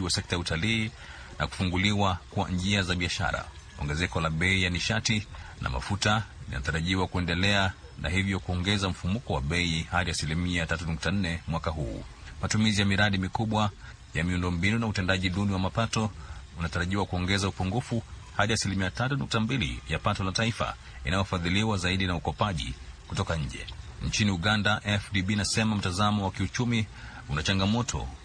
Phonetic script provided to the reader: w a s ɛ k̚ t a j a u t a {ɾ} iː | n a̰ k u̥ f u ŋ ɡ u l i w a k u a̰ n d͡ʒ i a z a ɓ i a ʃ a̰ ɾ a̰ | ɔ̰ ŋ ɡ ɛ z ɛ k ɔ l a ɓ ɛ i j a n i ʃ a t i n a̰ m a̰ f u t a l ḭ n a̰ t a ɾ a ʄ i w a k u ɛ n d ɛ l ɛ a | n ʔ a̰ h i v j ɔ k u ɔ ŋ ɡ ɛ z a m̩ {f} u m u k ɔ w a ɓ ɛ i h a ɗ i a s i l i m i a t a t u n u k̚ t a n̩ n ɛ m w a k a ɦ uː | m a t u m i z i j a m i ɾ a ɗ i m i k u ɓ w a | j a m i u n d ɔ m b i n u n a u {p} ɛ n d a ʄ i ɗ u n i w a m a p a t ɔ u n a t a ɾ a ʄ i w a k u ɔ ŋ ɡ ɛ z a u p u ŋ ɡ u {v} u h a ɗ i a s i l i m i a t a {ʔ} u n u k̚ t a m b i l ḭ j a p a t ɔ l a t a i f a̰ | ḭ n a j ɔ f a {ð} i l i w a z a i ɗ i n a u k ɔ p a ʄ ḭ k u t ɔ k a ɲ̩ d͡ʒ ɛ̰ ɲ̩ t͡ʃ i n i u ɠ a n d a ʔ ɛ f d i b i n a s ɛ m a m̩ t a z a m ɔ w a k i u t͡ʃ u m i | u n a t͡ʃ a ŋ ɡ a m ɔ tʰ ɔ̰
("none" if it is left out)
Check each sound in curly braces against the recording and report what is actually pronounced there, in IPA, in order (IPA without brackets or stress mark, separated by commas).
l, f, t, f, t, ð